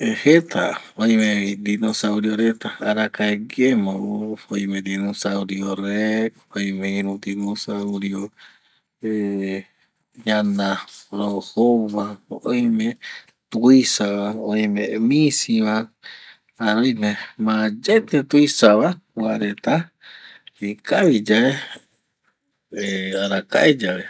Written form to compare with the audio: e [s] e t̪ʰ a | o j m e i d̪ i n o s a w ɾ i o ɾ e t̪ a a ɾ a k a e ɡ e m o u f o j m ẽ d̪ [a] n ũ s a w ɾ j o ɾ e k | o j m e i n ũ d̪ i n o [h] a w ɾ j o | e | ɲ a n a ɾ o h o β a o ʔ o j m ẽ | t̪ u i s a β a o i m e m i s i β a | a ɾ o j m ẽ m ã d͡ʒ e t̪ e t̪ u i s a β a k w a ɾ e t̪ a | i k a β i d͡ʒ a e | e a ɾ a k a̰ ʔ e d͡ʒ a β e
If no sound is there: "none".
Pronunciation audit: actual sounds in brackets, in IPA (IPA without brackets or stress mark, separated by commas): h, i, s